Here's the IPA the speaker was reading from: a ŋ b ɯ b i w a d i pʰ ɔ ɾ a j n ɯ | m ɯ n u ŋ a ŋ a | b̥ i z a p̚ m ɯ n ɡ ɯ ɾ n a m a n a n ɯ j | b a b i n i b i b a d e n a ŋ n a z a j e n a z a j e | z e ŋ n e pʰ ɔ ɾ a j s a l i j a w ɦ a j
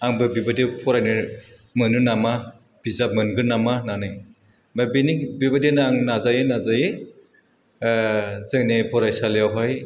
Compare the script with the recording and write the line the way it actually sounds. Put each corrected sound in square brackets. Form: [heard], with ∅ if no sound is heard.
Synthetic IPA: a ŋ b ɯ b i [b] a d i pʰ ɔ ɾ a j n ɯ | m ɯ n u [n] a [m] a | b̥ i z a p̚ m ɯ n ɡ ɯ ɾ n a m a n a n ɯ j | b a b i n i b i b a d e n a ŋ n a z a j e n a z a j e | z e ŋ n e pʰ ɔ ɾ a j s a l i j a w ɦ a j